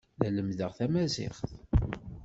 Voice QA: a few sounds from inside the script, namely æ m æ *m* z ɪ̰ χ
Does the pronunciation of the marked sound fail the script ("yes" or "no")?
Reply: yes